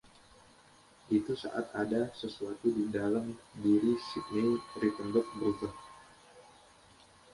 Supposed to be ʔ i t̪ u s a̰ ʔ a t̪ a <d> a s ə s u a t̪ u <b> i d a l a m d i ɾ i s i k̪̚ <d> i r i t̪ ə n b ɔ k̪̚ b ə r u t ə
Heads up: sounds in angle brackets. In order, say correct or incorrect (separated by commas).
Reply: correct, incorrect, incorrect